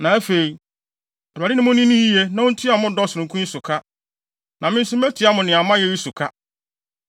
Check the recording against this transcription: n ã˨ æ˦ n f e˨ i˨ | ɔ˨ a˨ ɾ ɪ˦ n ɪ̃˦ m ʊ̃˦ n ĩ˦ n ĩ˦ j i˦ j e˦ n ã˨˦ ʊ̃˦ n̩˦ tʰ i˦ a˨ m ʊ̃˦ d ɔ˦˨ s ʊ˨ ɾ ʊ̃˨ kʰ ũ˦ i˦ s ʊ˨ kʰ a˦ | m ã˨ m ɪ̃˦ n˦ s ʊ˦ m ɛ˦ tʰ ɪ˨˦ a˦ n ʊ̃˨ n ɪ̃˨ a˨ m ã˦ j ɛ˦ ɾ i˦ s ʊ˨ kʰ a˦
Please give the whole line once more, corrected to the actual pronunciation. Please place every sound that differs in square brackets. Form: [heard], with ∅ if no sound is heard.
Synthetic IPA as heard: n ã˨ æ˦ [∅] f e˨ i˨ | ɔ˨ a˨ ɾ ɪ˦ n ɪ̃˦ m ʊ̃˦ n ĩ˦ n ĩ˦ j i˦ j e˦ n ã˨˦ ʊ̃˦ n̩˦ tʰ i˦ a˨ m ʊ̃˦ d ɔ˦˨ s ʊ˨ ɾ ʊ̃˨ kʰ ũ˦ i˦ s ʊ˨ kʰ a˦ | [n] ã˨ m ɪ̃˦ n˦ s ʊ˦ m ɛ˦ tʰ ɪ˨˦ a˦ [m] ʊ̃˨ n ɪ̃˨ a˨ m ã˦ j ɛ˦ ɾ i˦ s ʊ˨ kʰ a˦